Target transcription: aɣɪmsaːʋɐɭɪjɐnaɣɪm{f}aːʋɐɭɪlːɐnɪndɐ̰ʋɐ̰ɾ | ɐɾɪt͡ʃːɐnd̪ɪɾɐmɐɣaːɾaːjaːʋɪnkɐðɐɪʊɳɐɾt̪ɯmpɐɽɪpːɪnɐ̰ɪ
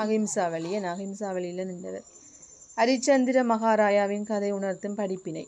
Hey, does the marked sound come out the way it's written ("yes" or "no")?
no